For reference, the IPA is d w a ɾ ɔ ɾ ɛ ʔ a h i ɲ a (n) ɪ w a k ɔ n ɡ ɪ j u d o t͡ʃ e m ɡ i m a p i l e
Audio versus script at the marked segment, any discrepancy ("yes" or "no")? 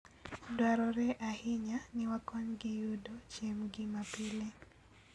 no